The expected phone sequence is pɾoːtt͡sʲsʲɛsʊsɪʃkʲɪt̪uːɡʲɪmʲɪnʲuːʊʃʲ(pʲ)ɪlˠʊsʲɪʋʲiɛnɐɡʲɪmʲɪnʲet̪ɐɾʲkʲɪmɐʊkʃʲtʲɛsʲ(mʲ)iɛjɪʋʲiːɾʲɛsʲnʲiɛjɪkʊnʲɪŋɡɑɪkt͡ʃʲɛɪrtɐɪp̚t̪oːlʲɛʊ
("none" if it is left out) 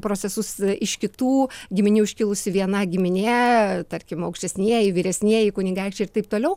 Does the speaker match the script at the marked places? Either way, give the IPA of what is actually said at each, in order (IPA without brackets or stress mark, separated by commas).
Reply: kʲ, nʲ